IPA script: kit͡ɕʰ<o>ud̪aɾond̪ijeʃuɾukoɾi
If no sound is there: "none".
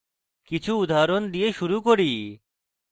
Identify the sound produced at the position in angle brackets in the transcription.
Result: u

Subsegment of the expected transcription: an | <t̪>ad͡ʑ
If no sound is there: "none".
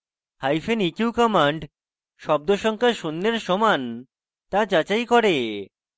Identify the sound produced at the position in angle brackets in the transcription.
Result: t̪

